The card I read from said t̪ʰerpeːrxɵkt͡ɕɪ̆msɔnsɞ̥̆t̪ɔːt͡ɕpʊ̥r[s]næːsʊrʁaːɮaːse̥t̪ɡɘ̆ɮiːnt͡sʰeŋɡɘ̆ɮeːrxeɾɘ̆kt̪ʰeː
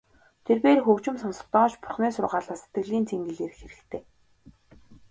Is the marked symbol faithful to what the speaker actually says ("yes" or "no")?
no